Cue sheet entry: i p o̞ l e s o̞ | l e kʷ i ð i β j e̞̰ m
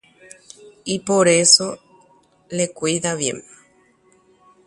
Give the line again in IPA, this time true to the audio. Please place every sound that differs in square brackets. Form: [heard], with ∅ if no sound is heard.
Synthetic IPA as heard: i p o̞ [ɾ] e s o̞ | l e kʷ i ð [a] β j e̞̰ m